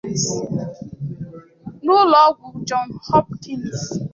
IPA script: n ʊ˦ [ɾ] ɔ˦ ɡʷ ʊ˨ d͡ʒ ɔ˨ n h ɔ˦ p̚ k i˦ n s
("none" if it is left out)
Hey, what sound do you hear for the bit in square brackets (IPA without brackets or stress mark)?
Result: l